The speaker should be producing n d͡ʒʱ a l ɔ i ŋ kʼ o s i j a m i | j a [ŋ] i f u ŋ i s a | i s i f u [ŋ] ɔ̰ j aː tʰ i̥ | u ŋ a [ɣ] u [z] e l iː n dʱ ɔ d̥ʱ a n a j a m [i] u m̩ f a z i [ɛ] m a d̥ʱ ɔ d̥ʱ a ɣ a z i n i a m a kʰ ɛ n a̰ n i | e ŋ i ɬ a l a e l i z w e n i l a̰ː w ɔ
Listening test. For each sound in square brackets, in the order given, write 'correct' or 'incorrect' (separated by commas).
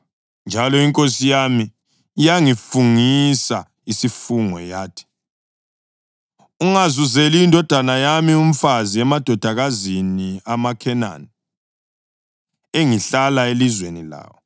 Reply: correct, correct, incorrect, correct, correct, correct